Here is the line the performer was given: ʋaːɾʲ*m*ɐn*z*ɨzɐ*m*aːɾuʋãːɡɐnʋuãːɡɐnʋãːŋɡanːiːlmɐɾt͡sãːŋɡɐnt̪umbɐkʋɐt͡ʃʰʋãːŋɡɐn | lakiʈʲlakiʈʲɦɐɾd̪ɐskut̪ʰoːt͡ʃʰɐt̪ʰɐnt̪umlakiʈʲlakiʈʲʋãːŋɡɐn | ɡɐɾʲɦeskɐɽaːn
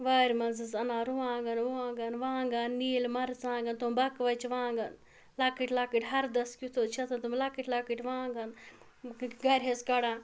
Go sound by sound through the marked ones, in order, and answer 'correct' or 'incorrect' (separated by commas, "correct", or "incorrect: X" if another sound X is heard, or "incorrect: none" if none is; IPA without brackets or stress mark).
correct, correct, incorrect: n